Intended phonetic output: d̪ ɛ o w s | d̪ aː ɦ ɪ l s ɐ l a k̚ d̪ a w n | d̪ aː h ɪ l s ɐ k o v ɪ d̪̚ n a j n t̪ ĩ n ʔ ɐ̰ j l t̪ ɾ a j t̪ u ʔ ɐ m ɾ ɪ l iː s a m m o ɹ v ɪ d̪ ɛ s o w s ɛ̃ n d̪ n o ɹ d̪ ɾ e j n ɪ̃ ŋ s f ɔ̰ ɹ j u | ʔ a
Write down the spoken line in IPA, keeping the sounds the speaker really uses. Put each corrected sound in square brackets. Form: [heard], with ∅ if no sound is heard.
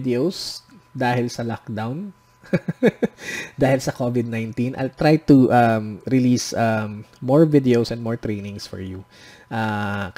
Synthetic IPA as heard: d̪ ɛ o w s | d̪ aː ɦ ɪ l s ɐ l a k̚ d̪ a w n | d̪ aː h ɪ l s ɐ k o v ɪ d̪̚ n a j n t̪ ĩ n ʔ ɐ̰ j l t̪ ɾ a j t̪ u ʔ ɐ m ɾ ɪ l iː s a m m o ɹ v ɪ d̪ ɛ [∅] o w s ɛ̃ n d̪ [m] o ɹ [t̪] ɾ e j n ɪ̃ ŋ s f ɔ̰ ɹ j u | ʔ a